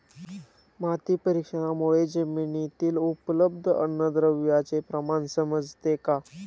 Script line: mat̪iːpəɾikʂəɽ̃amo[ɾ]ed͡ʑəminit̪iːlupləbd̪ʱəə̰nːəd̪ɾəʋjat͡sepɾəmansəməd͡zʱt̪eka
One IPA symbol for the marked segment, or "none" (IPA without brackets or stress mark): ɭ